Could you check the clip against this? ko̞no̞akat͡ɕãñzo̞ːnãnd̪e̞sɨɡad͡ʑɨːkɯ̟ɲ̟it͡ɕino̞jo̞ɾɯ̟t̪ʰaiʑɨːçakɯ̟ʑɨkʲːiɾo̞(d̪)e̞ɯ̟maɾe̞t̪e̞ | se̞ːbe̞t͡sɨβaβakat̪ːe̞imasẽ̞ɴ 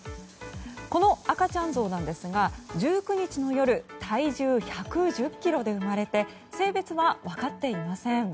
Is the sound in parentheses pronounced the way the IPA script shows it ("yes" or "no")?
yes